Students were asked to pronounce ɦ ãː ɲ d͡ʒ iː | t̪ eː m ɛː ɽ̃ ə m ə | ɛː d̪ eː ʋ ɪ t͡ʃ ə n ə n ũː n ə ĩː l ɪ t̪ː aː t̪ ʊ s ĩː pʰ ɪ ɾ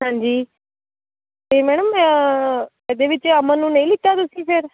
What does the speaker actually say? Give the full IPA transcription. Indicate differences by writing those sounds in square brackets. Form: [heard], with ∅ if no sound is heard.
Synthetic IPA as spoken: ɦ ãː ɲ d͡ʒ iː | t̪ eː m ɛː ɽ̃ ə m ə | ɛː d̪ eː ʋ ɪ t͡ʃ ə [m] ə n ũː n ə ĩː l ɪ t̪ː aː t̪ ʊ s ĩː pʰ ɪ ɾ